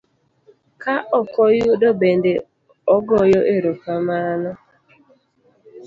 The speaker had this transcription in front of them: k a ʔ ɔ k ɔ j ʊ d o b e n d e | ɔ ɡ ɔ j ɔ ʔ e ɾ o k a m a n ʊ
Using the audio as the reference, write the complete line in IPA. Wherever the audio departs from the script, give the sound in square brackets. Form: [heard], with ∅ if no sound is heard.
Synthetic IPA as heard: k a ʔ ɔ k ɔ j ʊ d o b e n d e | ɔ ɡ ɔ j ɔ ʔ e ɾ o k a m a n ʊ